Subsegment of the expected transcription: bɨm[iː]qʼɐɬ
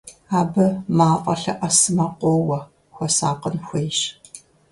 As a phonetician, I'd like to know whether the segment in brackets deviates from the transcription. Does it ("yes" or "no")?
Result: yes